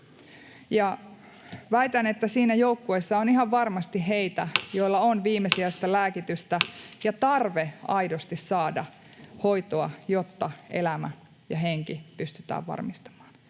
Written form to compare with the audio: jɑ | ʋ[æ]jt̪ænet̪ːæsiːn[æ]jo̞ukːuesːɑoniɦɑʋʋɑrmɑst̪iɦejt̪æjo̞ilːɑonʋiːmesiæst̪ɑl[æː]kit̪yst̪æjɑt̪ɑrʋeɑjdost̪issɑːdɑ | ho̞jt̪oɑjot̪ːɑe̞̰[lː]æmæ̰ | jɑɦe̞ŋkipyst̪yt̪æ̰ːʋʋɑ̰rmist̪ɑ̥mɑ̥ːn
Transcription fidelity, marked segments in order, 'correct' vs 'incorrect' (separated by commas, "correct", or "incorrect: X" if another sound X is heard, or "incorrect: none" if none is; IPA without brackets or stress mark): correct, correct, correct, incorrect: l